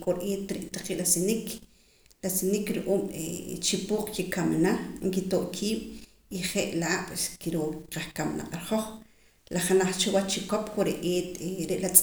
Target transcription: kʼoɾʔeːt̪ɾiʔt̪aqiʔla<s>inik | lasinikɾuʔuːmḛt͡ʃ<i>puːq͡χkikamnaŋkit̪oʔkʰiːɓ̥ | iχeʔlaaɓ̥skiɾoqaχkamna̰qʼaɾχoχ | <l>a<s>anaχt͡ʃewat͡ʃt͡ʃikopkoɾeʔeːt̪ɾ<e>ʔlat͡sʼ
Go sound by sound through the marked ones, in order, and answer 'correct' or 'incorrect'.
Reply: correct, correct, correct, incorrect: χ, correct

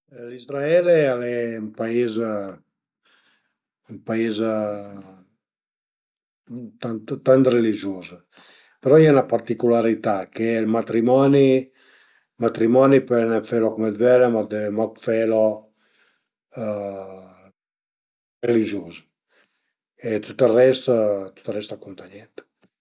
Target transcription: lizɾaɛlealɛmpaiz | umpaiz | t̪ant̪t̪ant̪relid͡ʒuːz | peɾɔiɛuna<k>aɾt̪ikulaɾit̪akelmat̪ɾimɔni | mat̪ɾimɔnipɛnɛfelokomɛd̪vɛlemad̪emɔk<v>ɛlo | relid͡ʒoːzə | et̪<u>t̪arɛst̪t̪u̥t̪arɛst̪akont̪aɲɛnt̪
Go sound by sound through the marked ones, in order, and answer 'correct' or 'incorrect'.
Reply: incorrect: p, incorrect: f, correct

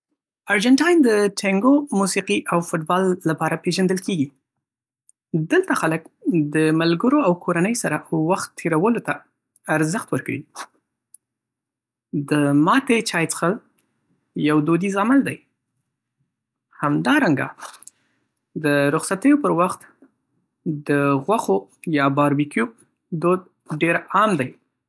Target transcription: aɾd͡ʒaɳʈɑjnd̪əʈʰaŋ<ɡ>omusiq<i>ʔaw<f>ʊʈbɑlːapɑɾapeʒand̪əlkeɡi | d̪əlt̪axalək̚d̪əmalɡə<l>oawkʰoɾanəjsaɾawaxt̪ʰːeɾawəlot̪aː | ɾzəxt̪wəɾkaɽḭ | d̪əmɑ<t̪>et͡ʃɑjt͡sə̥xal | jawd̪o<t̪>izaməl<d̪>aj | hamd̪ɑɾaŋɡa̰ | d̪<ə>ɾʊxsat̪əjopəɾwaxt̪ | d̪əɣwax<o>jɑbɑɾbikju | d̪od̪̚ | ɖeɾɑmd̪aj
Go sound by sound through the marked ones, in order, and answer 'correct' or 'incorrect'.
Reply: correct, correct, correct, incorrect: ɾ, correct, incorrect: d̪, correct, correct, correct

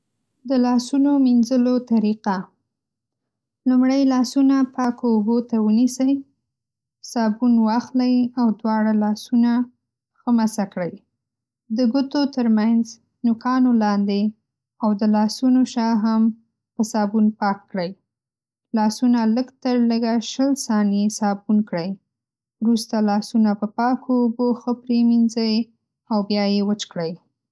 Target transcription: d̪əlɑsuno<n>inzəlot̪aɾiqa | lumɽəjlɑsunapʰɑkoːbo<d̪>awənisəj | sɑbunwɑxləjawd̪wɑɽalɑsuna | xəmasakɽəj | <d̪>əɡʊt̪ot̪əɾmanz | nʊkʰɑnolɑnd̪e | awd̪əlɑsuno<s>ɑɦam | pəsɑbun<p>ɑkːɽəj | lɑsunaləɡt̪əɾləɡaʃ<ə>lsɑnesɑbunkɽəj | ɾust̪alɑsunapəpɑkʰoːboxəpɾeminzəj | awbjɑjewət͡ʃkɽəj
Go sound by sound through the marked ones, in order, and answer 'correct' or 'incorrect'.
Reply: incorrect: m, incorrect: t̪, correct, incorrect: ʃ, correct, correct

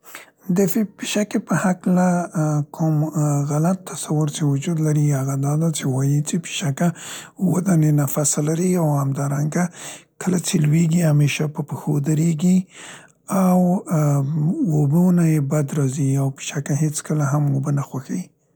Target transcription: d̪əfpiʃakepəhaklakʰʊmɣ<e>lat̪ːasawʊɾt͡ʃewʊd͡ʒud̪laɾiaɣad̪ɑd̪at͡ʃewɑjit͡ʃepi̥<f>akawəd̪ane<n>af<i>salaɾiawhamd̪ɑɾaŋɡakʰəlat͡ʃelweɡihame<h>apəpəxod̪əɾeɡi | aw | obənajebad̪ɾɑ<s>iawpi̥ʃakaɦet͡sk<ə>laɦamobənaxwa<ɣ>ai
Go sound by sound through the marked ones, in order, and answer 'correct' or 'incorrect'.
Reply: incorrect: a, incorrect: ʃ, correct, incorrect: a, incorrect: ʃ, incorrect: z, correct, incorrect: x

